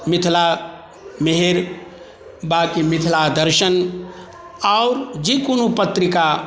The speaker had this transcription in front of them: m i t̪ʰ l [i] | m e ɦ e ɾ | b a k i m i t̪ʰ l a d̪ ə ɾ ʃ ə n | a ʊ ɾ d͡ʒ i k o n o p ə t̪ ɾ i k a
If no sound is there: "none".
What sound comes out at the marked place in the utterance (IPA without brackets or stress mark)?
a